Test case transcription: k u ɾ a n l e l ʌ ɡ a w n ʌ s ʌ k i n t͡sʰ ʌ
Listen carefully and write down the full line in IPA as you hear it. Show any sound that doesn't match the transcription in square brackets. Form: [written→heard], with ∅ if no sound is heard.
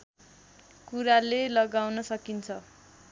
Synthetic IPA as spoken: k u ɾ a [n→∅] l e l ʌ ɡ a w n ʌ s ʌ k i n t͡sʰ ʌ